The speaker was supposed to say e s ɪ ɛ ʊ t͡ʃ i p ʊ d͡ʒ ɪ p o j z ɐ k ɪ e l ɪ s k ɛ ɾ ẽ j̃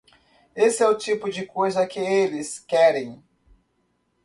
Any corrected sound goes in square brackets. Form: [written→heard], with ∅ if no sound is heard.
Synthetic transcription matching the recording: e s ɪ ɛ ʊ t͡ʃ i p ʊ d͡ʒ ɪ [p→k] o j z ɐ k ɪ e l ɪ s k ɛ ɾ ẽ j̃